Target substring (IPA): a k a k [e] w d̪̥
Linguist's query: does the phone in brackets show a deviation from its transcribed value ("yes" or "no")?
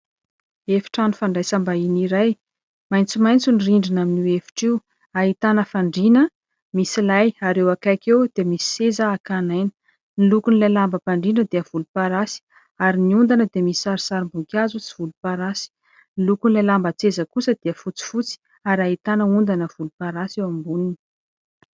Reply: no